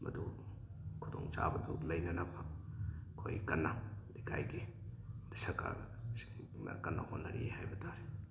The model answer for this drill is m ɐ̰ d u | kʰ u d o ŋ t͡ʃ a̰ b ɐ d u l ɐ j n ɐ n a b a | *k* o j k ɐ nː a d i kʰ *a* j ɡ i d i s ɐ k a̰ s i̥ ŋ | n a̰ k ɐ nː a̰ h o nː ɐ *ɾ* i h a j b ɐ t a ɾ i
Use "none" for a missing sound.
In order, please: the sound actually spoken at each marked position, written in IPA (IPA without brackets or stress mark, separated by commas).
kʰ, a, ɾ